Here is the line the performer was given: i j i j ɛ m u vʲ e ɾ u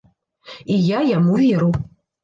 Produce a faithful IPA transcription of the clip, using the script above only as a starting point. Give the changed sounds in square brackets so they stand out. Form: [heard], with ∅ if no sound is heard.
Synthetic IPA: i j [a] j [a] m u vʲ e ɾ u